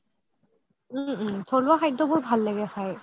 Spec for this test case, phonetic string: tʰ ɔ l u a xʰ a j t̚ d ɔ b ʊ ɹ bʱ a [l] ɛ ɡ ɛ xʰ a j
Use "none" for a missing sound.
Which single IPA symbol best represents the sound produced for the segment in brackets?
lː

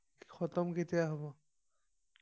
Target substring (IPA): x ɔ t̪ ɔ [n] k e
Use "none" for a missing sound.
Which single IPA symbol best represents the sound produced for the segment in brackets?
m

